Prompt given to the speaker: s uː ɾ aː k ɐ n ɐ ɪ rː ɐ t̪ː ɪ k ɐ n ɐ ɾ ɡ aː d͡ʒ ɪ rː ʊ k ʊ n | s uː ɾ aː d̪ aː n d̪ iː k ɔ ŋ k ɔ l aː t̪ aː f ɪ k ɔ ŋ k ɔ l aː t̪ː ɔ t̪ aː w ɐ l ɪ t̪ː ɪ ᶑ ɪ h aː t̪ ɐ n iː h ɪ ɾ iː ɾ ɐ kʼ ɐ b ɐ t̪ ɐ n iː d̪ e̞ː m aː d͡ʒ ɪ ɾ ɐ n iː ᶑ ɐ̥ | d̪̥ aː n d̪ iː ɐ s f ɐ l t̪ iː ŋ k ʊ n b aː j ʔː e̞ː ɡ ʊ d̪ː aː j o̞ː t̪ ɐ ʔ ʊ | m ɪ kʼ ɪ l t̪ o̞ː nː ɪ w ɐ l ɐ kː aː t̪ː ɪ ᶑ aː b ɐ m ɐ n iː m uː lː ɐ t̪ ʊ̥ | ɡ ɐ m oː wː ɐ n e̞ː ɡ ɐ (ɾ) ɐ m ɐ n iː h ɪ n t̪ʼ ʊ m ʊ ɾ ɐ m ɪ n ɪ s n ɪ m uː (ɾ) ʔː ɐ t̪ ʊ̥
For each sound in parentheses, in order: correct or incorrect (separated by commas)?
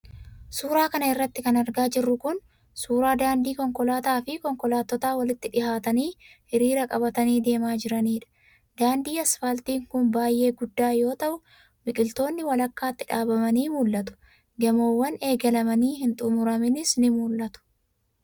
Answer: incorrect, incorrect